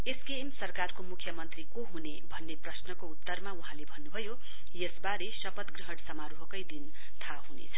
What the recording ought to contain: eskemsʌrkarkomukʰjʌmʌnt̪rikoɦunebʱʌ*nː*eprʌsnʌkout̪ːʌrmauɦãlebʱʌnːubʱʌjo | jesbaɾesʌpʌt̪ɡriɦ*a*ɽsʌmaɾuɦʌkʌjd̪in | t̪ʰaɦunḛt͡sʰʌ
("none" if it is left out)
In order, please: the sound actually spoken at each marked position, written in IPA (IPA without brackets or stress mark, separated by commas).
nː, ʌ